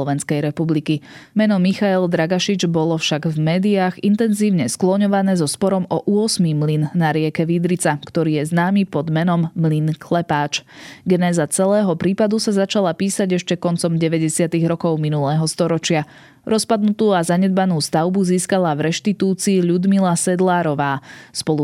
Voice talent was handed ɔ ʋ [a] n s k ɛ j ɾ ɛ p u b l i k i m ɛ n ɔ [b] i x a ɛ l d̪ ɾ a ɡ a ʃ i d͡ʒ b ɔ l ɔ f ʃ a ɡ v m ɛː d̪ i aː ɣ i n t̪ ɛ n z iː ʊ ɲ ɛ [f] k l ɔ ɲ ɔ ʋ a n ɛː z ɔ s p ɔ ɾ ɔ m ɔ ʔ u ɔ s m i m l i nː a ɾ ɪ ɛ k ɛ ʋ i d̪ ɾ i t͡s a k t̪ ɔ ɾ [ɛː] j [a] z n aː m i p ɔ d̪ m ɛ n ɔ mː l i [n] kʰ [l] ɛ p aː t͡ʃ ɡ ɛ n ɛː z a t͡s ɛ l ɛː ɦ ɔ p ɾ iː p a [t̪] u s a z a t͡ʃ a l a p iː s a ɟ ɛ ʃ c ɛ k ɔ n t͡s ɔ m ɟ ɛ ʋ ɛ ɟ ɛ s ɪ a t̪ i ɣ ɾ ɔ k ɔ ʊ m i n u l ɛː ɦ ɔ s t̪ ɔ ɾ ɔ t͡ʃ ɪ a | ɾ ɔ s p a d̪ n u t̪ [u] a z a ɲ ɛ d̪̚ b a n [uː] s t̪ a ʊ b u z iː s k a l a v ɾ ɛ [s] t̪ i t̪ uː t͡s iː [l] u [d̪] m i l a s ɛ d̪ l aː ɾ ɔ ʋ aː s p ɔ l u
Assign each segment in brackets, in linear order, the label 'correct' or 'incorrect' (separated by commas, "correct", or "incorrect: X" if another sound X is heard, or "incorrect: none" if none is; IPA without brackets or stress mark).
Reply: incorrect: ɛ, incorrect: m, incorrect: s, incorrect: iː, incorrect: ɛ, correct, correct, incorrect: d̪, incorrect: uː, correct, incorrect: ʃ, incorrect: ʎ, correct